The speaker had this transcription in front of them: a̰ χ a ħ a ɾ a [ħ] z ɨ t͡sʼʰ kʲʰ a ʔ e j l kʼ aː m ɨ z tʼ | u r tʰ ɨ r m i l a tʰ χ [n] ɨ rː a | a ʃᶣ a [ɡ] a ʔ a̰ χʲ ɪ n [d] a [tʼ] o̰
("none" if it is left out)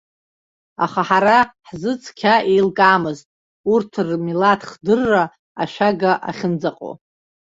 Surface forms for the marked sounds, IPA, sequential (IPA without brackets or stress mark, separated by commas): ħ, d, ɡ, d͡z, qʼ